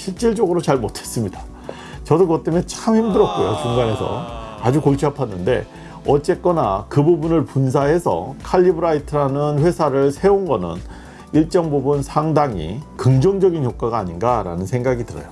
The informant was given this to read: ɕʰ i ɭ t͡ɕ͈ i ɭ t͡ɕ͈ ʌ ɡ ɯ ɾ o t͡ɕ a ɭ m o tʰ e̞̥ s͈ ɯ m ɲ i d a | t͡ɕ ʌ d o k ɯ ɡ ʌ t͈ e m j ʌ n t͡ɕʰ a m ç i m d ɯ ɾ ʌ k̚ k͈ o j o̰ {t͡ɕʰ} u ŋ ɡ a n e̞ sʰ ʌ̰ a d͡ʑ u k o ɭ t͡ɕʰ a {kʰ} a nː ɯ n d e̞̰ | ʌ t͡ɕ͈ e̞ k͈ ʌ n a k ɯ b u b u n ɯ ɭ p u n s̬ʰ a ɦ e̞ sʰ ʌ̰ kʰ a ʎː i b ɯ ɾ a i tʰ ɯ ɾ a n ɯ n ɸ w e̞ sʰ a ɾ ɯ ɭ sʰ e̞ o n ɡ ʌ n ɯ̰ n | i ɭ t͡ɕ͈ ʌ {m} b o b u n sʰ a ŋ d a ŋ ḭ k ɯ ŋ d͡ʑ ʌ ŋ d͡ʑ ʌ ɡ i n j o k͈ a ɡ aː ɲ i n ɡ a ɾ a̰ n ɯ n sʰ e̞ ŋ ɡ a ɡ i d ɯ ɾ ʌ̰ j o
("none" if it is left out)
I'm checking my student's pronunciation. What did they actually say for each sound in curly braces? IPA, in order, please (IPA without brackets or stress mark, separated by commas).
t͡ɕ, pʰ, ŋ